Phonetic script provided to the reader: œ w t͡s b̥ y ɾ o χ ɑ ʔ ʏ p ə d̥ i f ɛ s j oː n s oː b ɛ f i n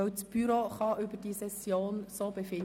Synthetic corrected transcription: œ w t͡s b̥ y ɾ o χ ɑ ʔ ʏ b ə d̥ i s ɛ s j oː n s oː b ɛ f ɪ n